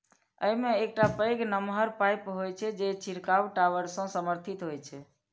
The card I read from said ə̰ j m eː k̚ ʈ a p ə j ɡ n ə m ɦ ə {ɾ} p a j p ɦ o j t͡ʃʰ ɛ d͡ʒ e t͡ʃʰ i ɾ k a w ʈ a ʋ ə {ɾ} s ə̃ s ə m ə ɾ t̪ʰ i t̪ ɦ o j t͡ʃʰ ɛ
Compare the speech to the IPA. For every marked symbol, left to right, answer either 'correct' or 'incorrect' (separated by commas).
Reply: correct, correct